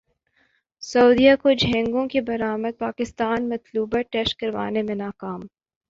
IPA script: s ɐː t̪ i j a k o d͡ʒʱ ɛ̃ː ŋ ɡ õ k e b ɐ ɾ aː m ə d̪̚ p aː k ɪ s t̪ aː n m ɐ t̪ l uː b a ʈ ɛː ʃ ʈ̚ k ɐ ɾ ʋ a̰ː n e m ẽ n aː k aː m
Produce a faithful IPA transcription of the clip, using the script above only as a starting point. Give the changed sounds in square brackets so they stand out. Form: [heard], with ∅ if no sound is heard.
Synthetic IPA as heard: s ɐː [d̪] i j a k o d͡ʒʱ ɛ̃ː ŋ ɡ õ k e b ɐ ɾ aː m ə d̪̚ p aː k ɪ s t̪ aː n m ɐ t̪ l uː b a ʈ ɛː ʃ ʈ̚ k ɐ ɾ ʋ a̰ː n e m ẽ n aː k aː m